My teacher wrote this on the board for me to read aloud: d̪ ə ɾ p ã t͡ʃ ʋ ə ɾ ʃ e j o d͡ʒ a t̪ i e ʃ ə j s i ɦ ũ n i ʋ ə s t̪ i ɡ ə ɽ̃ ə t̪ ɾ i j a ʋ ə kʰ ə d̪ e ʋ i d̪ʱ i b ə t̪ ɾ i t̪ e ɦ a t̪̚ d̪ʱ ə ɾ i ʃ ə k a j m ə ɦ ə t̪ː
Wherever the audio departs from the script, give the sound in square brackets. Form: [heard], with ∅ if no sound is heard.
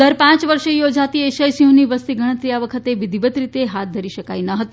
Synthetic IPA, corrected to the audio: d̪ ə ɾ p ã t͡ʃ ʋ ə ɾ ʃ e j o d͡ʒ a t̪ i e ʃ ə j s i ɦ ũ n i ʋ ə s t̪ i ɡ ə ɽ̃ ə t̪ ɾ i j a ʋ ə kʰ ə [t̪] e ʋ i d̪ʱ i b ə t̪ ɾ i t̪ e ɦ a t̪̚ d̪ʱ ə ɾ i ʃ ə k a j [n] ə ɦ ə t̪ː